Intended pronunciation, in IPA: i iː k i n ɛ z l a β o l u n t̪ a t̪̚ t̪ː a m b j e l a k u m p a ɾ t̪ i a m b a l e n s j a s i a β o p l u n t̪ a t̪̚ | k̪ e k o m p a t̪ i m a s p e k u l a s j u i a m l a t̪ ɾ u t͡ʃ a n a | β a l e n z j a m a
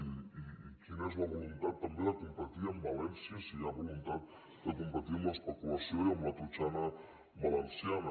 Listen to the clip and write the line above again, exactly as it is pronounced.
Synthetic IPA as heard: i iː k i n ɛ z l a β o l u n t̪ a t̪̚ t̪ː a m b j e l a k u m p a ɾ t̪ i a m b a l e n s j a s i a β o l u n t̪ a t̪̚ | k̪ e k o m p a t̪ i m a s p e k u l a s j o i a m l a t̪ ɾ u t͡ʃ a n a | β a l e n s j a n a